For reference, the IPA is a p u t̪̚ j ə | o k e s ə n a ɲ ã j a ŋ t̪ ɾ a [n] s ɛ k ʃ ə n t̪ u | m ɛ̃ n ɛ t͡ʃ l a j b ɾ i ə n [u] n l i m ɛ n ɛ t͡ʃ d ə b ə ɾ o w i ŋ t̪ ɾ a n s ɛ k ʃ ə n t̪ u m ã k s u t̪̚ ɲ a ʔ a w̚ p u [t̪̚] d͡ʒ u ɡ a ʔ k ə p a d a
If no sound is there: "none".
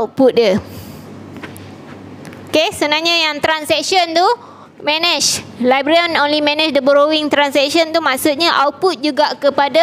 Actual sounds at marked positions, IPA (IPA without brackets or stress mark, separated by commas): n, o, t̪̚